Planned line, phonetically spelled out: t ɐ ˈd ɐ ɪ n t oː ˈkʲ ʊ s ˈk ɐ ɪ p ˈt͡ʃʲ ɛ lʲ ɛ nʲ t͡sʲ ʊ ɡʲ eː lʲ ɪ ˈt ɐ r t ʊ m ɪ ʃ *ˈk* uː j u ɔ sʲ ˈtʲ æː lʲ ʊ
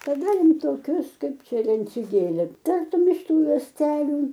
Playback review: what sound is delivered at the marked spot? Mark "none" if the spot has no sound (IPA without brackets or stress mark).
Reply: t